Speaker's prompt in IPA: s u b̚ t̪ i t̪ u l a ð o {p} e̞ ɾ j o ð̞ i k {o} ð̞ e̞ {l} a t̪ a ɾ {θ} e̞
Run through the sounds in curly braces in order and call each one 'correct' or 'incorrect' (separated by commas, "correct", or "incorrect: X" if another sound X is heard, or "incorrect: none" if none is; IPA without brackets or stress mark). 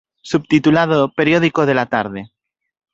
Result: correct, correct, correct, incorrect: ð